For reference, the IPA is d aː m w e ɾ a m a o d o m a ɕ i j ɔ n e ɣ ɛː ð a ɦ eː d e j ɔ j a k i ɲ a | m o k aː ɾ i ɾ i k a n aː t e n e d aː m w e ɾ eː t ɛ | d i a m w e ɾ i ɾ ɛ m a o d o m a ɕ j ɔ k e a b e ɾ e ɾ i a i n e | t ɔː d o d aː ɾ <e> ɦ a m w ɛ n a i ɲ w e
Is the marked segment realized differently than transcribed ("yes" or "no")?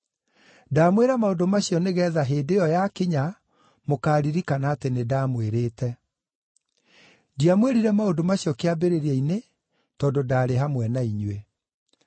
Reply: no